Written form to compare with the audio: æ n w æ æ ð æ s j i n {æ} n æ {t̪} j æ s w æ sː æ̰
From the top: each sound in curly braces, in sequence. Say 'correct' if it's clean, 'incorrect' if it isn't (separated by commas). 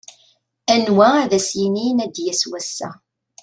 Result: incorrect, incorrect